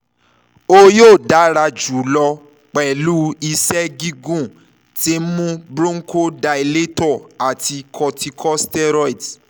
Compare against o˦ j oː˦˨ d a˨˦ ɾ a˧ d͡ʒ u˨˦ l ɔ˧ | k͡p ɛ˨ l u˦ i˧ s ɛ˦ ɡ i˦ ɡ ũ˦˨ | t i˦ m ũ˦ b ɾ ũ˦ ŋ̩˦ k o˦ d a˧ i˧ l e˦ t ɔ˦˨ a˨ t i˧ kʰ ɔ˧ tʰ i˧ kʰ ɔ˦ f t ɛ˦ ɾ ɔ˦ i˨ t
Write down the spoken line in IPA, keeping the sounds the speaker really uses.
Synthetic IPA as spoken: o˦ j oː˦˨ d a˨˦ ɾ a˧ d͡ʒ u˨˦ l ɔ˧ | k͡p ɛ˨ l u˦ i˧ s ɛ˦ ɡ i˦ ɡ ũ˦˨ | t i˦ m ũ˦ b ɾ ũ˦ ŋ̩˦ k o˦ d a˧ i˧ l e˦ t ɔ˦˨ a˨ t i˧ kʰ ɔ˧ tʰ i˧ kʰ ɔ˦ s t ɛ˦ ɾ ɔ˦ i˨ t